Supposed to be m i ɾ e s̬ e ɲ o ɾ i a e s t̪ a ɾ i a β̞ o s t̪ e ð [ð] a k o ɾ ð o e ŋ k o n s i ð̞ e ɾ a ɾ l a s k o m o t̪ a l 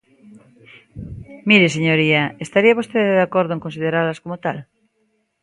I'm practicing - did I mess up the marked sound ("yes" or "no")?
no